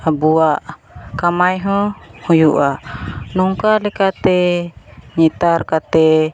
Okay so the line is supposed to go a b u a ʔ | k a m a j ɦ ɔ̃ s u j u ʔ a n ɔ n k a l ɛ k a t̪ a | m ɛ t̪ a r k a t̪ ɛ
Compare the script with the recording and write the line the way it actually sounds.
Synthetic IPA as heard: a b u a ʔ | k a m a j ɦ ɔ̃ h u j u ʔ a n ɔ ŋ k a l ɛ k a t̪ ɛ | ɲ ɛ t̪ a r k a t̪ ɛ